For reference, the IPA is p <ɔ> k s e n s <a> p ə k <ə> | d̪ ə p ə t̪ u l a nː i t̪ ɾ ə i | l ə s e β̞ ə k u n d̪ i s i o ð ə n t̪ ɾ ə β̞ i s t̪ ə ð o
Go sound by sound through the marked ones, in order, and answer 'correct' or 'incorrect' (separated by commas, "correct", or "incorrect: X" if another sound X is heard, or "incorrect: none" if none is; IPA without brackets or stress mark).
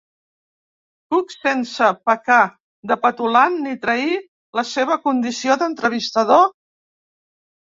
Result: incorrect: u, incorrect: ə, incorrect: a